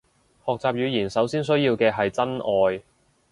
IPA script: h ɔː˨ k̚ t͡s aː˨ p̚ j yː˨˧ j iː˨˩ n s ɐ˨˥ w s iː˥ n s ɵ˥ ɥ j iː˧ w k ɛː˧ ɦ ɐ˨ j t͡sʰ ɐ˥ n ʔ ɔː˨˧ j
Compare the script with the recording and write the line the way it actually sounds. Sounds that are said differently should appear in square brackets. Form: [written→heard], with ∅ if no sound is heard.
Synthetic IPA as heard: h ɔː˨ k̚ t͡s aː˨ p̚ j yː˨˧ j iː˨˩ n s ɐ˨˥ w s iː˥ n s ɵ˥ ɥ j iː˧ w k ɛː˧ ɦ ɐ˨ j [t͡sʰ→t͡s] ɐ˥ n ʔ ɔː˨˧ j